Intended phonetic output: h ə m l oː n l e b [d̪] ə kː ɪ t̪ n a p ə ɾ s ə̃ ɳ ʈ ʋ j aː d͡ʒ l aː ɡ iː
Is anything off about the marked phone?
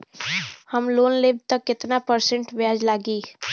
yes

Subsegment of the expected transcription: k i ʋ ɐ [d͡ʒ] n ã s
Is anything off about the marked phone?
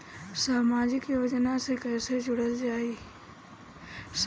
no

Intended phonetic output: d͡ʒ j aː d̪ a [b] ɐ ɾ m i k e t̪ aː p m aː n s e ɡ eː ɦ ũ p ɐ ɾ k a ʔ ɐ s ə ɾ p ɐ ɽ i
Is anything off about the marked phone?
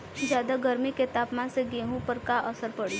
yes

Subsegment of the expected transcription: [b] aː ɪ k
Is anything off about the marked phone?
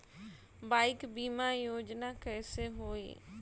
no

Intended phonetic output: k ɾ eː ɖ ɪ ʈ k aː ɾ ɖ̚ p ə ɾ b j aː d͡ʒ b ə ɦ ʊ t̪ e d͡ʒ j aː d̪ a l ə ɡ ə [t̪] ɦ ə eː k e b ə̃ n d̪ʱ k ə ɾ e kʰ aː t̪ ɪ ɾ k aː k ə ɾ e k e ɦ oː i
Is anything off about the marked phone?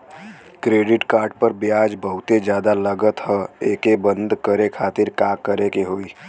no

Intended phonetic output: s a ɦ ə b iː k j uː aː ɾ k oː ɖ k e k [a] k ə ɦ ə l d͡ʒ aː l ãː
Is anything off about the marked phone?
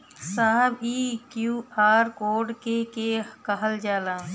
yes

